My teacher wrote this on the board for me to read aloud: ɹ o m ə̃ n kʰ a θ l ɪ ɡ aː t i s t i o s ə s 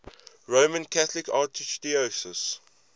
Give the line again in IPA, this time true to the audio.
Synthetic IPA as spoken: ɹ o m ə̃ n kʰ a θ l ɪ k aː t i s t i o s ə s